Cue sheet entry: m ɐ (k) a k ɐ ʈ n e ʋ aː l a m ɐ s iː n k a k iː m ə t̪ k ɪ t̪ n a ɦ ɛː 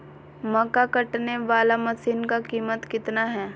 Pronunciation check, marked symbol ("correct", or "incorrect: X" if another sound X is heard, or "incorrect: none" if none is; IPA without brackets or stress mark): correct